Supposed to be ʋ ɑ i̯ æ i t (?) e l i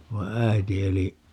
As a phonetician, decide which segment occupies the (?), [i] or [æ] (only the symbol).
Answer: i